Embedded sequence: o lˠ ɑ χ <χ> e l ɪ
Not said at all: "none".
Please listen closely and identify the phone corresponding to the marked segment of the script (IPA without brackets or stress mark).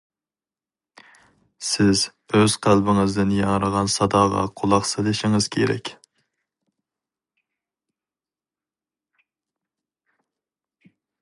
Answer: s